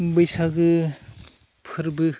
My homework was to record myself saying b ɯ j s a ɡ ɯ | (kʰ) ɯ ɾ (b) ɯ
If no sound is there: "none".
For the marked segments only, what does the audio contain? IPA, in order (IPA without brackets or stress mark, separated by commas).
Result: pʰ, b